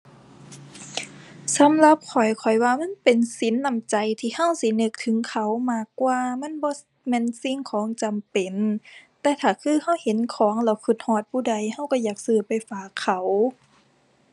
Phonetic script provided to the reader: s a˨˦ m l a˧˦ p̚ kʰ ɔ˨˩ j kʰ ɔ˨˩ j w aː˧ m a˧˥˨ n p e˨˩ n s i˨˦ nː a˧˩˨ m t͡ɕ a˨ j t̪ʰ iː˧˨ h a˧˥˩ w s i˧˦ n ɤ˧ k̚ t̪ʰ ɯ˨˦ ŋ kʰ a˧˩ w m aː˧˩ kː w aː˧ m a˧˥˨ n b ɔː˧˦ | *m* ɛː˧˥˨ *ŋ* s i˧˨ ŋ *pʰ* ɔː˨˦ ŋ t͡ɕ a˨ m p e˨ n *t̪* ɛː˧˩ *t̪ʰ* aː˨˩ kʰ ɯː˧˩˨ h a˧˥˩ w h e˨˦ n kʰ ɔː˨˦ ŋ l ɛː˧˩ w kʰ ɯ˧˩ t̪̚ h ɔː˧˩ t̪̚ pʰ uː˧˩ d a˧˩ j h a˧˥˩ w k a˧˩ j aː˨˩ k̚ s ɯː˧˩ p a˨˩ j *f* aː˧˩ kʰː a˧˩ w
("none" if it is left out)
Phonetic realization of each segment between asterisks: m, n, kʰ, t̪, t̪ʰ, f

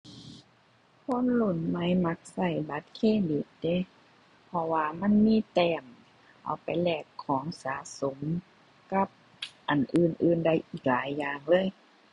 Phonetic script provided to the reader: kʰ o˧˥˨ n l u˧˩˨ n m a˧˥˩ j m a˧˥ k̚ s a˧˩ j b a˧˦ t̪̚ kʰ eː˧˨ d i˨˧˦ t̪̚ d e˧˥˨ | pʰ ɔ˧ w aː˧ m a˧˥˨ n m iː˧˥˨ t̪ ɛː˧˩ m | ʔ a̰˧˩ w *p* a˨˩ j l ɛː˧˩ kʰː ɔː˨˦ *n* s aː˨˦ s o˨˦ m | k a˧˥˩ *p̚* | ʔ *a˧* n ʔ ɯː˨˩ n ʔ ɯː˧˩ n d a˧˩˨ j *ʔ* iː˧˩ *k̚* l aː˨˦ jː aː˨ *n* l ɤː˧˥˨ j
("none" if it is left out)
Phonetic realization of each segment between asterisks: p, ŋ, p̚, a˨˩, ʔ, k̚, ŋ

